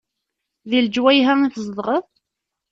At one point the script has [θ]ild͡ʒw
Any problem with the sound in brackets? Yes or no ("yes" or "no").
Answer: yes